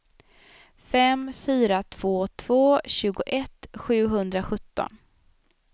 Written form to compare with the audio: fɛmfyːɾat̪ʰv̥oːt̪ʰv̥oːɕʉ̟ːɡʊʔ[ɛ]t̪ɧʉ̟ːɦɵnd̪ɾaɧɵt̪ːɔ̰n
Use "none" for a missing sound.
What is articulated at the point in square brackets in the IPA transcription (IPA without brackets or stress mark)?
ɛ